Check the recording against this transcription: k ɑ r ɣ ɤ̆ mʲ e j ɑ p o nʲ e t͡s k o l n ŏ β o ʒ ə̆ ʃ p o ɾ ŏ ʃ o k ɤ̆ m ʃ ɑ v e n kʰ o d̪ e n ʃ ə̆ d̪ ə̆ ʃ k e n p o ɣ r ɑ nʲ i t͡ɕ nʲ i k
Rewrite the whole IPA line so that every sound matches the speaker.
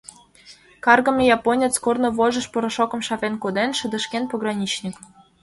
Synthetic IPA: k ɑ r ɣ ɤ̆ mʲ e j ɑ p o nʲ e t͡s k o r n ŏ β o ʒ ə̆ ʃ p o ɾ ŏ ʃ o k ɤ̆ m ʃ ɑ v e n k o d̪ e n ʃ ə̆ d̪ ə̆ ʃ k e n p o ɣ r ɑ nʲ i t͡ɕ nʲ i k